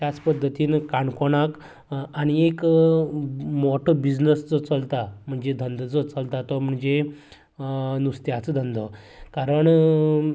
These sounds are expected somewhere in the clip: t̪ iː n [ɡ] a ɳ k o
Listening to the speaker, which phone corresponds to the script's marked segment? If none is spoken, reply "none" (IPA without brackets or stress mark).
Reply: k